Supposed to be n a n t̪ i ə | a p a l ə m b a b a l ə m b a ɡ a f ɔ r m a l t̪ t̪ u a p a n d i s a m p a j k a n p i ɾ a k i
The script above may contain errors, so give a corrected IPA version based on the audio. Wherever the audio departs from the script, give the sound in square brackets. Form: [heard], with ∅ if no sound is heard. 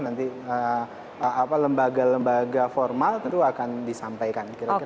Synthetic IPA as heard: n a n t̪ i ə | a p a l ə m b a [ɡ] a l ə m b a ɡ a f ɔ r m a l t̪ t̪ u a [k] a n d i s a m p a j k a n [k] i ɾ a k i